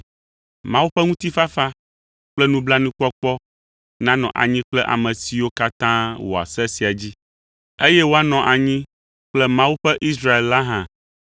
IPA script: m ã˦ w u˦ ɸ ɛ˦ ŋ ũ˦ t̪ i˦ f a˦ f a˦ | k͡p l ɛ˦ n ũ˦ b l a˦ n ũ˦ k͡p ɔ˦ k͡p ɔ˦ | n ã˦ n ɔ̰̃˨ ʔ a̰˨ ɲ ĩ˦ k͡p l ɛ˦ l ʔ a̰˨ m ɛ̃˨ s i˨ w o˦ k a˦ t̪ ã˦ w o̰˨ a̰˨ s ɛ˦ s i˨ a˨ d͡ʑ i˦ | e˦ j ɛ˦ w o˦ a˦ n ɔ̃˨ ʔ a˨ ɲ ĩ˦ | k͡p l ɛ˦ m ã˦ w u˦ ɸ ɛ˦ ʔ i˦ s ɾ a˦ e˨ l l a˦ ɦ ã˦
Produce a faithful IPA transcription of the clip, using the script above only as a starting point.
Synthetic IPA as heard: m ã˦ w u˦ ɸ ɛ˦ ŋ ũ˦ t̪ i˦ f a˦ f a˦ | k͡p l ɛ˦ n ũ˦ b l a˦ n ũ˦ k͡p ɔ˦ k͡p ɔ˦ | n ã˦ n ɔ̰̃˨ ʔ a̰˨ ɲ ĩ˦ k͡p l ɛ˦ ʔ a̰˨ m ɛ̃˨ s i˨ w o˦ k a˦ t̪ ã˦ w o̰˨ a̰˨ s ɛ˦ s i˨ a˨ d͡ʑ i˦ | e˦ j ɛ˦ w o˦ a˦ n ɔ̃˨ ʔ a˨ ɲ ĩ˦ | k͡p l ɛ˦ m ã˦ w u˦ ɸ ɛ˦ ʔ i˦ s ɾ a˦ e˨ l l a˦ ɦ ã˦